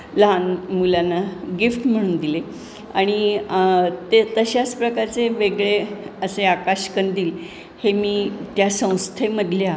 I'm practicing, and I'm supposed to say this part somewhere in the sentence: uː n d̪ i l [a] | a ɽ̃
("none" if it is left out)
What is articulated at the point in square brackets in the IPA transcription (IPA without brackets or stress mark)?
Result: e